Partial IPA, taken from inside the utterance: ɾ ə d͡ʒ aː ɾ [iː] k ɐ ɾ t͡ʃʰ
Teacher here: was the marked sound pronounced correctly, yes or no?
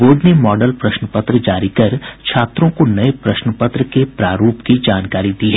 no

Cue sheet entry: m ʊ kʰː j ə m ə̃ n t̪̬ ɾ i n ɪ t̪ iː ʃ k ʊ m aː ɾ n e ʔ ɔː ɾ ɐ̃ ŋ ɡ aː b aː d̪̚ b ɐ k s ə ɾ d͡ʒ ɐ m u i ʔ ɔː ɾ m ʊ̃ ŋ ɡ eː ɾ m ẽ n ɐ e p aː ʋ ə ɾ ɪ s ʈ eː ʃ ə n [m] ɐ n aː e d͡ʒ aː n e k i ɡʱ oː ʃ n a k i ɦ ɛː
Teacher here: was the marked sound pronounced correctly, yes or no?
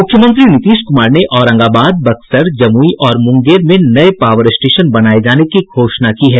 no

